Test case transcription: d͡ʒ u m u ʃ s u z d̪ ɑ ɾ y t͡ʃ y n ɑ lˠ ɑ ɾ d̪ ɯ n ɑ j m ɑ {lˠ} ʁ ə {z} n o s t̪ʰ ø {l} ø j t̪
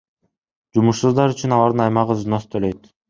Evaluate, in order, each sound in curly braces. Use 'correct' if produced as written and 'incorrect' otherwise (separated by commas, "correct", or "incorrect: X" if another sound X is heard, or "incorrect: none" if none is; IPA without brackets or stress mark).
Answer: incorrect: none, correct, correct